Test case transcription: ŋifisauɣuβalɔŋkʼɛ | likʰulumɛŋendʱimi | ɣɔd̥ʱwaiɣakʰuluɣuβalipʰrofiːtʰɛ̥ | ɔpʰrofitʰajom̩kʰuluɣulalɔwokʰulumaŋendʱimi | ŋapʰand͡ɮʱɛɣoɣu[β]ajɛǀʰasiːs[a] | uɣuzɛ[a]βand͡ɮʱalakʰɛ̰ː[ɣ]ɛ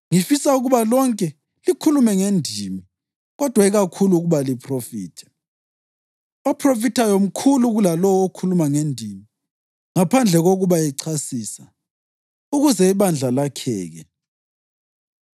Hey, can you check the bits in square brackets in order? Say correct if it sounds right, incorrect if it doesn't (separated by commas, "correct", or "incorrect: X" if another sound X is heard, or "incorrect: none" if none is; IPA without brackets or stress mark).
correct, correct, incorrect: i, correct